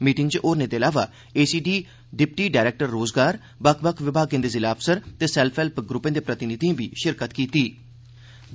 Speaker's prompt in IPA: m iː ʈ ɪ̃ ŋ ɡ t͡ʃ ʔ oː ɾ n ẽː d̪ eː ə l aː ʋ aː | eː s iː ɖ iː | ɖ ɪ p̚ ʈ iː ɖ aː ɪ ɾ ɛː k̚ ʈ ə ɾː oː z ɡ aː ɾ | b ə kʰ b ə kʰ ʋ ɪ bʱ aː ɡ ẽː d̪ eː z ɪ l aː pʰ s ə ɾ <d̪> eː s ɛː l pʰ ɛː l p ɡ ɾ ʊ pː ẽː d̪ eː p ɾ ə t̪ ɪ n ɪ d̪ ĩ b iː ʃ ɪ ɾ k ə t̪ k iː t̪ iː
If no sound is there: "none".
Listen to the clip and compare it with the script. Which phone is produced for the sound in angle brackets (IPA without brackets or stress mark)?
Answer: t̪